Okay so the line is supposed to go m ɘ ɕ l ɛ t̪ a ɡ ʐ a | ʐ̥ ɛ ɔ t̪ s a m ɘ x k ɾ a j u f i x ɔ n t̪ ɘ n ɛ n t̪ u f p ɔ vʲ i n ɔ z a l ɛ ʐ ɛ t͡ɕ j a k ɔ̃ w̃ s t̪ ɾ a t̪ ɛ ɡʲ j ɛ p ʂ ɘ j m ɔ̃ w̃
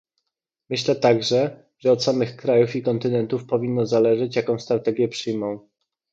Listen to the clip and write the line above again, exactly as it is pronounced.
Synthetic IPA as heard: m ɘ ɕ l ɛ t̪ a ɡ ʐ ɛ | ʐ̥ ɛ ɔ t̪ s a m ɘ x k ɾ a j u f i k ɔ n t̪ ɘ n ɛ n t̪ u f p ɔ vʲ i nː ɔ z a l ɛ ʐ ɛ t͡ɕ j a k ɔ̃ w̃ s t̪ ɾ a t̪ ɛ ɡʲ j ɛ p ʂ ɘ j m ɔ̃ w̃